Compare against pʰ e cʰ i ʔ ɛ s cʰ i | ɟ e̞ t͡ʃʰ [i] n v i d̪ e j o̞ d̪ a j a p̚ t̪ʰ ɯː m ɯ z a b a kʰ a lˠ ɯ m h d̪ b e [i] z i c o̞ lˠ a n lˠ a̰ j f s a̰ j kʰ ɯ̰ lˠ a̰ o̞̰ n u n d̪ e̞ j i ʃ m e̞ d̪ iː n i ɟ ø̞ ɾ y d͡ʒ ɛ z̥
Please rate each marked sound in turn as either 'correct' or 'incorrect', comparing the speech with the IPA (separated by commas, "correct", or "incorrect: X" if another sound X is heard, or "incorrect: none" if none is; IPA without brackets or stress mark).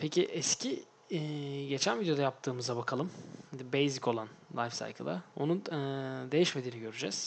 incorrect: æ, incorrect: j